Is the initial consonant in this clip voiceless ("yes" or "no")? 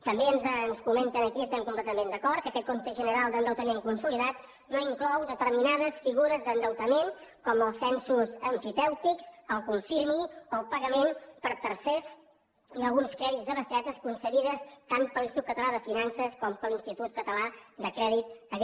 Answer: yes